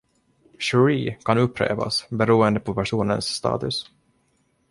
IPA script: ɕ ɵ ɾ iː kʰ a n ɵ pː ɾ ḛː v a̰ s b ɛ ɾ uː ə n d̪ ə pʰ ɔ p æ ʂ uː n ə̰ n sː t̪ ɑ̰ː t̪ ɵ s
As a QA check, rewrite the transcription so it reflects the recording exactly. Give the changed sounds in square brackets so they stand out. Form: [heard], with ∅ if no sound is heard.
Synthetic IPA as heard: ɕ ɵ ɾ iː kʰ a n ɵ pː ɾ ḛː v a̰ s b ɛ ɾ uː ə n d̪ ə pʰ ɔ p æ ʂ uː n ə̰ n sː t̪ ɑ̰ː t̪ ɵ s